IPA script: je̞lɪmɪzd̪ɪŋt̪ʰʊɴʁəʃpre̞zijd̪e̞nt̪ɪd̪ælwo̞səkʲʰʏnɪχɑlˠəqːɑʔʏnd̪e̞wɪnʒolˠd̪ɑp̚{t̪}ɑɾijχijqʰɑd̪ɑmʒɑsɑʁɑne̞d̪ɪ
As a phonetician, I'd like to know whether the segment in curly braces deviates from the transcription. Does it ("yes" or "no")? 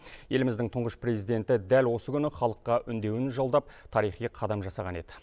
yes